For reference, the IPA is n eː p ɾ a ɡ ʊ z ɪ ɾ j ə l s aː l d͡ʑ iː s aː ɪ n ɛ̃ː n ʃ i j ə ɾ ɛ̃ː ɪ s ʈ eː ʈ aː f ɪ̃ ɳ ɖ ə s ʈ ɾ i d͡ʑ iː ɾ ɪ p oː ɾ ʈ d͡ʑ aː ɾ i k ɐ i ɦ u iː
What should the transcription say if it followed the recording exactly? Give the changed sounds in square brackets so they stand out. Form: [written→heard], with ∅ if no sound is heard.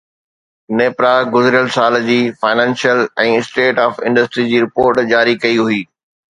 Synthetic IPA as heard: n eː p ɾ a ɡ ʊ z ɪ ɾ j ə l s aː l d͡ʑ iː [s→f] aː ɪ n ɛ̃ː n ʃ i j ə [ɾ→l] ɛ̃ː ɪ s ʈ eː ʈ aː f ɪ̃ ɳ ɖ ə s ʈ ɾ i d͡ʑ iː ɾ ɪ p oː ɾ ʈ d͡ʑ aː ɾ i k ɐ i ɦ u iː